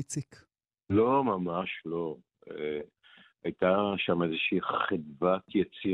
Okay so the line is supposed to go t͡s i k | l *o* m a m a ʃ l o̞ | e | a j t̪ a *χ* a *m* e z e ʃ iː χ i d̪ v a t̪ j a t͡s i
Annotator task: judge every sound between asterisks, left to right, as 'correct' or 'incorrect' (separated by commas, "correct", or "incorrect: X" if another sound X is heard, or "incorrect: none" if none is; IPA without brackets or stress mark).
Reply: correct, incorrect: ʃ, correct